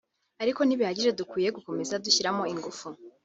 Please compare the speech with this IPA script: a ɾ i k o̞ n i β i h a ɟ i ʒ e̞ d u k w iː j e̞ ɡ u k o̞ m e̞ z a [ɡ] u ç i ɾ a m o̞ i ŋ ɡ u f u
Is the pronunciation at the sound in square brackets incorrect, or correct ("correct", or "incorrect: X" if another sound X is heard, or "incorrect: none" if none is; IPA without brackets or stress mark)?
incorrect: d